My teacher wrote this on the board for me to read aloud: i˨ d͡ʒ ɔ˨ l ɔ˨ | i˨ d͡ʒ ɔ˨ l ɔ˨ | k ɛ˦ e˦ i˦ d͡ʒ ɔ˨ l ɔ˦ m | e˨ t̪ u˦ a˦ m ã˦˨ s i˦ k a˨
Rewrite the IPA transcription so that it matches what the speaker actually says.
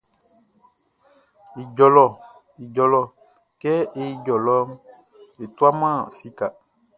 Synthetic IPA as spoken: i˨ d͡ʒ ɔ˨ l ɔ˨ | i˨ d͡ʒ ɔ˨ l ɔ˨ | k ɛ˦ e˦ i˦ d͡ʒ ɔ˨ l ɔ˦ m | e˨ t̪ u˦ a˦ m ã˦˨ s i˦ k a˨